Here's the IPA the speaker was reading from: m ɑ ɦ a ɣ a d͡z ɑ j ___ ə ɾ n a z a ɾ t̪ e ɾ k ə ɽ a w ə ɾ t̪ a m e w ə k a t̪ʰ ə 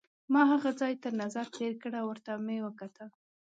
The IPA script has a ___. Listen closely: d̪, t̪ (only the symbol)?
t̪